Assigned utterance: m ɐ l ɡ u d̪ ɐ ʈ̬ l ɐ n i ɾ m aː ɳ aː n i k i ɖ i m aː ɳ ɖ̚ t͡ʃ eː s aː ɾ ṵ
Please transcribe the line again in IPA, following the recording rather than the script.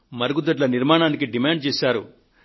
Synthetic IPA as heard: m ɐ ɾ ɡ u d̪ ɐ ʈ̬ l ɐ n i ɾ m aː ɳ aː n i k i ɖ i m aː ɳ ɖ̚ t͡ʃ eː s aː ɾ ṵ